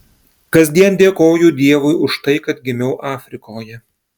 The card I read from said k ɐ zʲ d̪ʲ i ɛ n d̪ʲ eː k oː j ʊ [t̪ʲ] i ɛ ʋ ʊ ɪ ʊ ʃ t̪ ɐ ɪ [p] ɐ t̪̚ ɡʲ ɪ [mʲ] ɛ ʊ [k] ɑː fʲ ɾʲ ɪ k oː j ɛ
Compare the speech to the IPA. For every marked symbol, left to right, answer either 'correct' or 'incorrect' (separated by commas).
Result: incorrect, incorrect, correct, incorrect